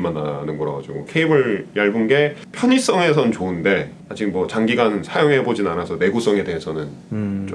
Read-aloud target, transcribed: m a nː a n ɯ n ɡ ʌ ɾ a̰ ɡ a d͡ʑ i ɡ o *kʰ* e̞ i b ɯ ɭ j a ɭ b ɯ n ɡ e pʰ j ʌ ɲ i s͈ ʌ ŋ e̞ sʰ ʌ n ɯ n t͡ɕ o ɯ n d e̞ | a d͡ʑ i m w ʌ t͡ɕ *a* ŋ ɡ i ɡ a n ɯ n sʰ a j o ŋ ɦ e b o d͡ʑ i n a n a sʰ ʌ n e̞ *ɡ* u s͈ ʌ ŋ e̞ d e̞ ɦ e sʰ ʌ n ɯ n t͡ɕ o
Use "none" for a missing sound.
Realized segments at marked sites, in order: kʰ, a, ɡ

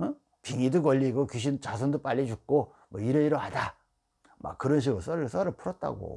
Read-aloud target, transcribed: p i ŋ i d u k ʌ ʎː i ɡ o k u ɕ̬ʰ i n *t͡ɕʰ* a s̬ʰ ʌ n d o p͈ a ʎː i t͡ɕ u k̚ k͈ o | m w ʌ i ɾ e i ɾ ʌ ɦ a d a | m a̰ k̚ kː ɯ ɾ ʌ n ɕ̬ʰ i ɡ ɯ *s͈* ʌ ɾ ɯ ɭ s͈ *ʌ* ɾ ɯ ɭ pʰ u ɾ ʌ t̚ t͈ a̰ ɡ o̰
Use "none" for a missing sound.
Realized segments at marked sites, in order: t͡ɕ, s͈, ʌ

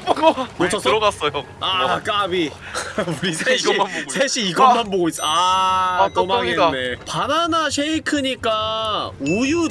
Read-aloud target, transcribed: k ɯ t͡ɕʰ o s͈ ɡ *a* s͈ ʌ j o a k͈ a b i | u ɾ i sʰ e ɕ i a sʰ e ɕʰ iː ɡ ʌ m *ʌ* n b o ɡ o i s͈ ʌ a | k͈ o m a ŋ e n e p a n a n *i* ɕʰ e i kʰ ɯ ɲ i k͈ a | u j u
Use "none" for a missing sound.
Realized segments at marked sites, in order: a, a, a

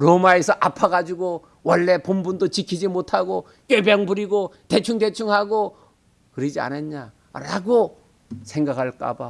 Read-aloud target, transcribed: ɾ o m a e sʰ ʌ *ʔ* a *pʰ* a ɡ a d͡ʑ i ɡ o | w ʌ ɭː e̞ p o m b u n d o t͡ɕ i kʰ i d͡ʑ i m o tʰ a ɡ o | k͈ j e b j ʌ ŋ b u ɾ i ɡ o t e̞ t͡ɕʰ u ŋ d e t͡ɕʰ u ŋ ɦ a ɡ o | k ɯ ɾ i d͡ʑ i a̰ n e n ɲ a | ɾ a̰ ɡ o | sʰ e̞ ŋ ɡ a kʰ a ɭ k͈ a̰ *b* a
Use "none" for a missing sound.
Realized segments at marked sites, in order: ʔ, pʰ, b

